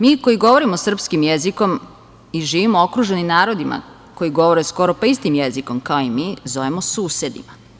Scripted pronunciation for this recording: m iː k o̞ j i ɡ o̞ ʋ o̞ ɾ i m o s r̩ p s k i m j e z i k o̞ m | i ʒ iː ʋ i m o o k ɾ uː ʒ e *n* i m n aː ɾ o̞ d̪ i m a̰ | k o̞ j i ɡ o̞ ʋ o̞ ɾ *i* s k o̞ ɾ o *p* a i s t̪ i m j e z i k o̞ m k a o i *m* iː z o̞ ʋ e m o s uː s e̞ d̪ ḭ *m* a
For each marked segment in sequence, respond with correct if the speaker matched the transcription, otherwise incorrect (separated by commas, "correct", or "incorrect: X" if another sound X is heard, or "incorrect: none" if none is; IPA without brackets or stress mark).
correct, incorrect: e, correct, correct, correct